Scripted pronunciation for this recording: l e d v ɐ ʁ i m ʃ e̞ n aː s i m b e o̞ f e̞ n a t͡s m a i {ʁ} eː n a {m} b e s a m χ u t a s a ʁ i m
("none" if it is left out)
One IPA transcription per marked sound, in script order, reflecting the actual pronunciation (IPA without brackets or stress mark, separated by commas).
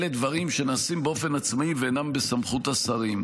v, m